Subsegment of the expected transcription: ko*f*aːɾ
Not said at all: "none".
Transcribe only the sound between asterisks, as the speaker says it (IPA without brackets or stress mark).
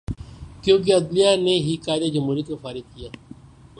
f